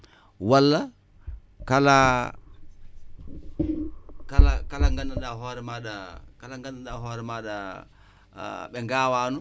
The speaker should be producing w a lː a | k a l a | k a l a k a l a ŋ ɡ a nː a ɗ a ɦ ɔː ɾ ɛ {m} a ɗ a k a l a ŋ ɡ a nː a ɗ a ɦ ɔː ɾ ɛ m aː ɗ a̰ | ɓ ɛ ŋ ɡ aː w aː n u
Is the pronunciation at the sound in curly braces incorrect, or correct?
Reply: correct